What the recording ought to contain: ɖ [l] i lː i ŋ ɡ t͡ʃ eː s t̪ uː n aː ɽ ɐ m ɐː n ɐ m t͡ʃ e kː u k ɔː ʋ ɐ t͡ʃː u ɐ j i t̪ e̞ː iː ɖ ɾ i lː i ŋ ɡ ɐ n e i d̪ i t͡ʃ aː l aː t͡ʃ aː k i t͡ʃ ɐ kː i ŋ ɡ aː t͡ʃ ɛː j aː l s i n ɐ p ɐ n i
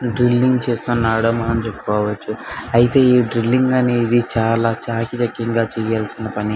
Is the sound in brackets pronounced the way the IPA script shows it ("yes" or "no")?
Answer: no